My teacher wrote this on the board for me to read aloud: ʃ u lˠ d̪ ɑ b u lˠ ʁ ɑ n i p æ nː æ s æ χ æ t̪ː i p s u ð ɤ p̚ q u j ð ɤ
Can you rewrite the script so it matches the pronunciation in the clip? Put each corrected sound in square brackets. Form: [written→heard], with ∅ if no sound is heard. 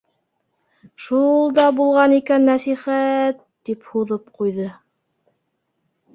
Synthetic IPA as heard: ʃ u lˠ d̪ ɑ b u lˠ ʁ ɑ n i [p→k] æ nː æ s [æ→i] χ æ t̪ː i p [s→h] u ð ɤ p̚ q u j ð ɤ